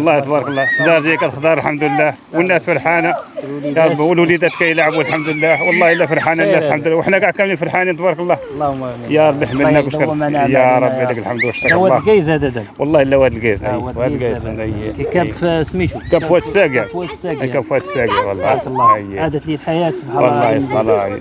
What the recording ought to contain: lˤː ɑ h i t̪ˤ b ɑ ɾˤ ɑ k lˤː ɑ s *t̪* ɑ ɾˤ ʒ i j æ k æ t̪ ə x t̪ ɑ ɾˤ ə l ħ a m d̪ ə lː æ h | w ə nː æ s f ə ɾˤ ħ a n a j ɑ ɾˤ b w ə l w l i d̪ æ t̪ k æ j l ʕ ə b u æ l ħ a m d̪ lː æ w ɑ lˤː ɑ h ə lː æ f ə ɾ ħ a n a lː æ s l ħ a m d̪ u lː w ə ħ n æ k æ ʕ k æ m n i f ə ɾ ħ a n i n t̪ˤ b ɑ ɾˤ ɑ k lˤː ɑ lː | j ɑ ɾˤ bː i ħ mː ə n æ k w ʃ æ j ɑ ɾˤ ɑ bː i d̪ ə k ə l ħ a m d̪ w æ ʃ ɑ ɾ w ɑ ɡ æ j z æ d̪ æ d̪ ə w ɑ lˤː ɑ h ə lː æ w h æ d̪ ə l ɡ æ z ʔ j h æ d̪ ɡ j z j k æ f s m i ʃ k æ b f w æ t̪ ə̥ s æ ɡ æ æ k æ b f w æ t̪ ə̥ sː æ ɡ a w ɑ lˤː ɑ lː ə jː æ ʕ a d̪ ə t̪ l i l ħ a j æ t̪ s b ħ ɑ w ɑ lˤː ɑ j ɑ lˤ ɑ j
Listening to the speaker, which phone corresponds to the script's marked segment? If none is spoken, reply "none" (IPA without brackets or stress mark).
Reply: d̪